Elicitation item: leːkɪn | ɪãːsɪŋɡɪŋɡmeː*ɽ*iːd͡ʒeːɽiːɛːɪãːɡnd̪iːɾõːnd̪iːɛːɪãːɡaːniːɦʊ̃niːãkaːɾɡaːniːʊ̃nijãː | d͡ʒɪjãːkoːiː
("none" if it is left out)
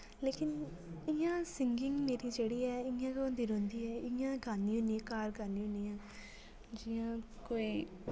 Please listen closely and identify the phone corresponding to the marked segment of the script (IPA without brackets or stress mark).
ɾ